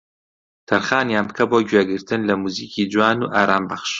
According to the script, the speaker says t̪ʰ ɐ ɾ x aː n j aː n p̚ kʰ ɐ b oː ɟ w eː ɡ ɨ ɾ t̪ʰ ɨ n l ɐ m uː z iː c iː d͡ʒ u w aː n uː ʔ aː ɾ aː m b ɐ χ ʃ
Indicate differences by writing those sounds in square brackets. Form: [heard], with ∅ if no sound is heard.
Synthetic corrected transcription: t̪ʰ ɐ ɾ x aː n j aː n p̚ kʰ ɐ b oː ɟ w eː ɡ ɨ ɾ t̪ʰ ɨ n l ɐ m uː z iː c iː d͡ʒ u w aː n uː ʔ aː ɾ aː m b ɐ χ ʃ